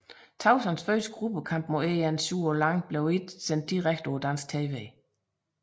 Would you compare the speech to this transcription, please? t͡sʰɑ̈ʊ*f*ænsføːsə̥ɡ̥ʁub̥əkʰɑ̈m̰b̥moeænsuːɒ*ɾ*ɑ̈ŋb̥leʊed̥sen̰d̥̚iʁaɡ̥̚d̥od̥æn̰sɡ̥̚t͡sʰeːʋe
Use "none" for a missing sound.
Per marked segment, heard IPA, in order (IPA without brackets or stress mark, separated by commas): s, l